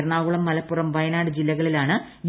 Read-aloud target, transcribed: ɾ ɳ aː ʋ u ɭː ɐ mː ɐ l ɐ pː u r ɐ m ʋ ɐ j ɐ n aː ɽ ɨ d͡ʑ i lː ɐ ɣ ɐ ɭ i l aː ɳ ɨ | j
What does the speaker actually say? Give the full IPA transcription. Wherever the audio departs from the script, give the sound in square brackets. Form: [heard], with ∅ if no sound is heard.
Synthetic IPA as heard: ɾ ɳ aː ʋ u [ɭ] ɐ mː ɐ l ɐ pː u r ɐ m ʋ ɐ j ɐ n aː ɽ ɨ d͡ʑ i lː ɐ ɣ ɐ ɭ i l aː ɳ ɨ | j

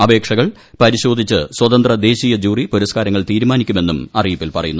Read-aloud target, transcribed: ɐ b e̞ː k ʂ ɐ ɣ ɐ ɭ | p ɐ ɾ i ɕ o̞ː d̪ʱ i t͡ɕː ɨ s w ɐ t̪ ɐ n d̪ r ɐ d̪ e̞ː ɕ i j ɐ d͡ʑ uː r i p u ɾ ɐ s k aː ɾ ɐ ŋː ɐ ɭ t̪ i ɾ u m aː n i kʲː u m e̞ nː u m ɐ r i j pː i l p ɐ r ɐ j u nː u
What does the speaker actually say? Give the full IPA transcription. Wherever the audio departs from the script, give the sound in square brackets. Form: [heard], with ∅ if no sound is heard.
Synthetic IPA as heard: ɐ b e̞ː k ʂ ɐ ɣ ɐ ɭ | p ɐ ɾ i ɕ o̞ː d̪ʱ i t͡ɕː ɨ s w ɐ t̪ ɐ n d̪ r ɐ d̪ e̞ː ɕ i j ɐ d͡ʑ uː r i p u ɾ ɐ s k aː ɾ ɐ ŋː ɐ ɭ t̪ [iː] ɾ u m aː n i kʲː u m e̞ nː u m ɐ r i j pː i l p ɐ r ɐ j u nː u

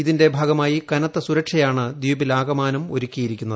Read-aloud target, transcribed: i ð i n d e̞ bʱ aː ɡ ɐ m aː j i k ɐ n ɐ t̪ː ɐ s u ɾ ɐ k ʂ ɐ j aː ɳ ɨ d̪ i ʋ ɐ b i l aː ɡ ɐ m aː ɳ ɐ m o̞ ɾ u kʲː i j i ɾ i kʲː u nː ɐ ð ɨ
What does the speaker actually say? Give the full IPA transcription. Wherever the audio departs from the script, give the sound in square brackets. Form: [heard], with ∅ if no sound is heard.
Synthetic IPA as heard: i ð i n d e̞ bʱ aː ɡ ɐ m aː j i k ɐ n ɐ t̪ː ɐ s u ɾ ɐ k ʂ ɐ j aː ɳ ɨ d̪ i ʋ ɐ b i l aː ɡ ɐ m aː [n] ɐ m o̞ ɾ u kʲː i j i ɾ i kʲː u nː ɐ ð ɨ

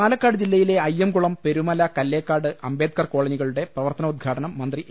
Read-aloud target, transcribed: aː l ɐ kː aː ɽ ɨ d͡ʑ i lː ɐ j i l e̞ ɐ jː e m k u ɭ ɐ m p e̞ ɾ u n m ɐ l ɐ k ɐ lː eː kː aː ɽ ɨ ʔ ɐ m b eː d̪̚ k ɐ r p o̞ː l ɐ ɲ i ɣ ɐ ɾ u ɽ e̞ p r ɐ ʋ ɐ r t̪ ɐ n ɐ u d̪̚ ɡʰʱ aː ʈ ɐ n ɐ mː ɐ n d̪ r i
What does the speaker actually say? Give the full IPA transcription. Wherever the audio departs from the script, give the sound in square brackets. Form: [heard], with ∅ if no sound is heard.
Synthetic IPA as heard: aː l ɐ kː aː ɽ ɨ d͡ʑ i lː ɐ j i l e̞ ɐ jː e m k u ɭ ɐ m p e̞ ɾ u [∅] m ɐ l ɐ k ɐ lː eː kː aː ɽ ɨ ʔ ɐ m b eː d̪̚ k ɐ r [k] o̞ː [ɭ] ɐ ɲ i ɣ ɐ [ɭ] u ɽ e̞ p r ɐ ʋ ɐ r t̪ ɐ n ɐ u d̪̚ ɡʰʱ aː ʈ ɐ n ɐ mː ɐ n d̪ r i

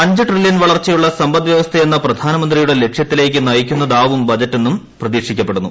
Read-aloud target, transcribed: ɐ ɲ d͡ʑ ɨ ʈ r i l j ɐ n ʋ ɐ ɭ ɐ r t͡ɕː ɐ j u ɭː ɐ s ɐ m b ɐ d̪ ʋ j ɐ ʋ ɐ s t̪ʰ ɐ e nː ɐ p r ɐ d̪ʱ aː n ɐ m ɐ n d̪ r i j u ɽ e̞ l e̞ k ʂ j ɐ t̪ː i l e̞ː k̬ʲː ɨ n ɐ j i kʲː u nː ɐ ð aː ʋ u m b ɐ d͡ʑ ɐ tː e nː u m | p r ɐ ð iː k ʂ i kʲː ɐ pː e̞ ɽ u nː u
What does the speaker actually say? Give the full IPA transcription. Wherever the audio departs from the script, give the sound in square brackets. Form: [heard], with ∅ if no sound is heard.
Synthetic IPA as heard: ɐ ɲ d͡ʑ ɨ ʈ r i l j ɐ n ʋ ɐ ɭ ɐ r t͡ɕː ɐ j u ɭː ɐ s ɐ m b ɐ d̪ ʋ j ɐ ʋ ɐ s t̪ʰ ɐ e nː ɐ p r ɐ d̪ʱ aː n ɐ m ɐ n d̪ r i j u ɽ e̞ l e̞ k ʂ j ɐ t̪ː i l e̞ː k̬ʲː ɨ n ɐ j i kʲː u nː ɐ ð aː ʋ u m b ɐ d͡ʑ ɐ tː e nː u m | p r ɐ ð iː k ʂ i kʲː ɐ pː e̞ ɽ u nː u

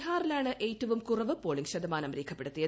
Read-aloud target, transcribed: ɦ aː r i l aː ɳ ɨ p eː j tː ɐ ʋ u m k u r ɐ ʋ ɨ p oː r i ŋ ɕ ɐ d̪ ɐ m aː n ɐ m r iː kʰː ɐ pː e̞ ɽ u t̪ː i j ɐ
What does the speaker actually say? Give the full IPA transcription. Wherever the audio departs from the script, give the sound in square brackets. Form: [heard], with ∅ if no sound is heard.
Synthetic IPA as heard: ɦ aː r i l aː ɳ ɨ [ʔ] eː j tː ɐ ʋ u m k u r ɐ ʋ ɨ p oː [ɭ] i ŋ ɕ ɐ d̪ ɐ m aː n ɐ m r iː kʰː ɐ pː e̞ ɽ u t̪ː i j ɐ

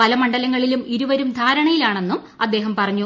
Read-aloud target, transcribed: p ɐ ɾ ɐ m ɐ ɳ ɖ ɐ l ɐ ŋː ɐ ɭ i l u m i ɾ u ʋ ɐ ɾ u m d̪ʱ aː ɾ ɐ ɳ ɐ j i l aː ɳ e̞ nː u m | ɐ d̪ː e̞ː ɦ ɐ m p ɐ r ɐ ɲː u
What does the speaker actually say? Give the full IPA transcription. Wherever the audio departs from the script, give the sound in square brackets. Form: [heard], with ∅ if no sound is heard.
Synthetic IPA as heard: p ɐ [l] ɐ m ɐ ɳ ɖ ɐ l ɐ ŋː ɐ ɭ i l u m i ɾ u ʋ ɐ ɾ u m d̪ʱ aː ɾ ɐ ɳ ɐ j i l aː ɳ e̞ nː u m | ɐ d̪ː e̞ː ɦ ɐ m p ɐ r ɐ ɲː u

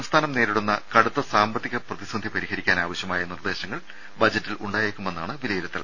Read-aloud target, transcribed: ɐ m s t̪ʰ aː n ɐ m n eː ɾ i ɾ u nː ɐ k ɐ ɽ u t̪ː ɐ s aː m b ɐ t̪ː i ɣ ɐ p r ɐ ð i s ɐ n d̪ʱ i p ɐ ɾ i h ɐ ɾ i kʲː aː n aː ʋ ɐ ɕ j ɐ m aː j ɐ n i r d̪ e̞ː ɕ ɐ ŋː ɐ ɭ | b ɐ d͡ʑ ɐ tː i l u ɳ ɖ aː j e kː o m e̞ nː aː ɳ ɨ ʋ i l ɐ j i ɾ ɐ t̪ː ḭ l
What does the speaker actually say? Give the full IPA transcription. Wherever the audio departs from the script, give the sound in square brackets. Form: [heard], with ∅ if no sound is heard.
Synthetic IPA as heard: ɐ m s t̪ʰ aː n ɐ m n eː ɾ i [ɽ] u nː ɐ k ɐ ɽ u t̪ː ɐ s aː m b ɐ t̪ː i ɣ ɐ p r ɐ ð i s ɐ n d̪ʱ i p ɐ ɾ i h ɐ ɾ i kʲː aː n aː ʋ ɐ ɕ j ɐ m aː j ɐ n i r d̪ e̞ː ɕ ɐ ŋː ɐ ɭ | b ɐ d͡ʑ ɐ tː i l u ɳ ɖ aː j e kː [u] m e̞ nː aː ɳ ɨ ʋ i l ɐ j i ɾ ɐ t̪ː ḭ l

